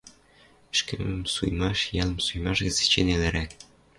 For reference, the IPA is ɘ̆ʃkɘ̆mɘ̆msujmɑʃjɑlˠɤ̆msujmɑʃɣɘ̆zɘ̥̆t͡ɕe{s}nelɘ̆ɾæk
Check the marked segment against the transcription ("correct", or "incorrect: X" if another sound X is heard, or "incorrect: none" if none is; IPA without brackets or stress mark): incorrect: none